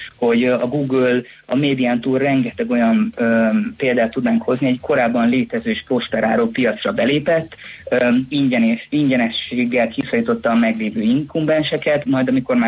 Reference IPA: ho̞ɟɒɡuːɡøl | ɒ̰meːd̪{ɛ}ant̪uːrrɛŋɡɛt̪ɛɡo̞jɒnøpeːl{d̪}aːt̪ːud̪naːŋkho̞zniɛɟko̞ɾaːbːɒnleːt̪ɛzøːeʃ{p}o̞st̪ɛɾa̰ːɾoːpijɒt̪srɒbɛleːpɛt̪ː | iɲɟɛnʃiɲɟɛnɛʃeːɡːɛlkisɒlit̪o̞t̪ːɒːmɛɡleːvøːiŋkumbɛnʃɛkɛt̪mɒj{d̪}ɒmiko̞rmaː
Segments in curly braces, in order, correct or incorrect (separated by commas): incorrect, correct, correct, correct